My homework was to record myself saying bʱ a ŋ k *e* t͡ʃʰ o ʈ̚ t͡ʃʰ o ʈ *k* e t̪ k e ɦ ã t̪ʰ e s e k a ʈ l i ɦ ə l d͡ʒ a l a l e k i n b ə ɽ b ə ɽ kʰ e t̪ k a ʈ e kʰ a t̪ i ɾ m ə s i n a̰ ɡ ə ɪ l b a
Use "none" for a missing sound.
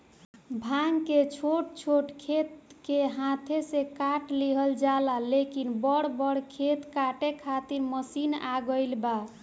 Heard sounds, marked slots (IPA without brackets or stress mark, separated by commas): e, kʰ